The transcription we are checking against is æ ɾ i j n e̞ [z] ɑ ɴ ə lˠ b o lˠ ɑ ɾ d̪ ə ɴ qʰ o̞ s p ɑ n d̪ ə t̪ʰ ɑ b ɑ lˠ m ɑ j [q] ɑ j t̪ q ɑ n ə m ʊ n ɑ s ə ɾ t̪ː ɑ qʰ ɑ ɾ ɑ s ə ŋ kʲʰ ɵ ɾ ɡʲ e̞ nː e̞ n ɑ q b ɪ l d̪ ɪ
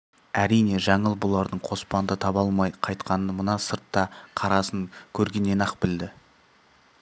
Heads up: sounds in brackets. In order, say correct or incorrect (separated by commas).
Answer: incorrect, incorrect